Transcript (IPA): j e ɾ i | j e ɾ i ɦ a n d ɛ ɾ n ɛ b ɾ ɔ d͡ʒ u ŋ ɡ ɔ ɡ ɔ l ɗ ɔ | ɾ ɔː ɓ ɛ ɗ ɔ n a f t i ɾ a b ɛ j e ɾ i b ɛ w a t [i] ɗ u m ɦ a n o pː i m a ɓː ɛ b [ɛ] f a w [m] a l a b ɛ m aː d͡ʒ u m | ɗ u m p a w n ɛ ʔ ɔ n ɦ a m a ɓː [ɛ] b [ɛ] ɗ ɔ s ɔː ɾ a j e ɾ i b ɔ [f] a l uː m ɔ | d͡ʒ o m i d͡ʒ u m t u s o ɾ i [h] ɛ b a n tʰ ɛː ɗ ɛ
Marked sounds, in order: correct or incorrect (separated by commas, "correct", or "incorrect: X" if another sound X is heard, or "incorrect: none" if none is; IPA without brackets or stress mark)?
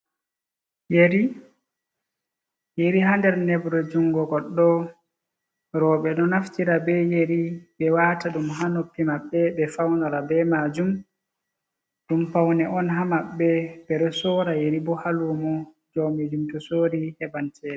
incorrect: a, correct, incorrect: n, correct, correct, incorrect: h, correct